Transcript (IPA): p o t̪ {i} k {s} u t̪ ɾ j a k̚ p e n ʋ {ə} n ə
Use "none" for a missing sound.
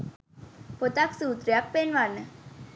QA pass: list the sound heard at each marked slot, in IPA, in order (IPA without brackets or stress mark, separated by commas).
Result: a, s, a